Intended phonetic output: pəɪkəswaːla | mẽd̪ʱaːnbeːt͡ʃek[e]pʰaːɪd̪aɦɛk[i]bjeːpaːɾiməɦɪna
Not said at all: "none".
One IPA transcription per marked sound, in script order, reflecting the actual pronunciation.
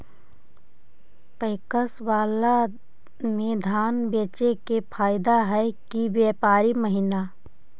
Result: e, i

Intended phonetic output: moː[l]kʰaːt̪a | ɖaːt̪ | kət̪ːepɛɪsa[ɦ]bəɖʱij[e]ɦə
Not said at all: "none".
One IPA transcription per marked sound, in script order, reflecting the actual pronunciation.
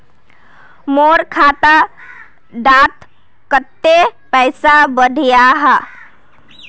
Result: ɾ, none, a

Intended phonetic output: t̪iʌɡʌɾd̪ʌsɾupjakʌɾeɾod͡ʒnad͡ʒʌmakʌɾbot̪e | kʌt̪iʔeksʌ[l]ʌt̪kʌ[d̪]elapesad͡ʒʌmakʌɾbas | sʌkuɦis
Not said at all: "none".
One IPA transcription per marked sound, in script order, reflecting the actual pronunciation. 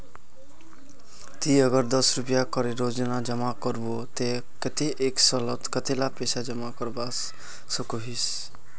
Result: l, t̪

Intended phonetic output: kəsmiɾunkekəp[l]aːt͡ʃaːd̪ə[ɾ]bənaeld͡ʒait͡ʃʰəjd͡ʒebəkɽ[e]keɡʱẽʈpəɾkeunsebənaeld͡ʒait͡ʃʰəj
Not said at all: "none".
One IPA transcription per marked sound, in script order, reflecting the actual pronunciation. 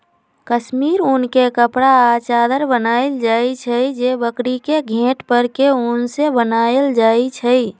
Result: ɽ, ɾ, i

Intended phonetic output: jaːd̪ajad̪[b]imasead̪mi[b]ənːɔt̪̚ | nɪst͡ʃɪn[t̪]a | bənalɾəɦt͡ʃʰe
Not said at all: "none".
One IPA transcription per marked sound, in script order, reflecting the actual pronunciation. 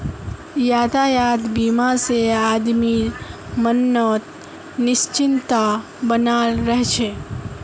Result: b, m, t̪

